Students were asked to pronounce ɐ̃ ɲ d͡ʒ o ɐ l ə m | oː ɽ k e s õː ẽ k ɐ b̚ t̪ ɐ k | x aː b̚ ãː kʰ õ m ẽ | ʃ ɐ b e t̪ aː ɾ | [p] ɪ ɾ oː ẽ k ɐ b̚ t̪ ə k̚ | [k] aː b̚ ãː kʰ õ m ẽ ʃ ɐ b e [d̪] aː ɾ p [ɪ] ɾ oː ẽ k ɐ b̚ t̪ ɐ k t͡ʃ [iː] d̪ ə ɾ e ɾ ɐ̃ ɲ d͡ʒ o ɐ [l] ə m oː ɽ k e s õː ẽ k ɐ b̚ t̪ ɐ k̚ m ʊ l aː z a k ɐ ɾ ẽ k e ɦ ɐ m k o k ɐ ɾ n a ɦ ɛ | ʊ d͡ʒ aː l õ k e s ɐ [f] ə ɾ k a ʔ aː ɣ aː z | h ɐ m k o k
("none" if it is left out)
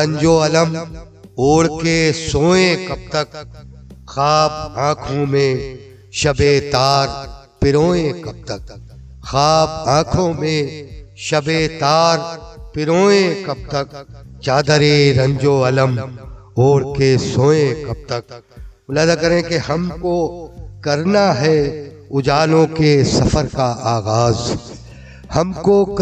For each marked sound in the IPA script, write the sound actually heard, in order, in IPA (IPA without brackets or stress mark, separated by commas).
p, x, t̪, ɪ, aː, l, f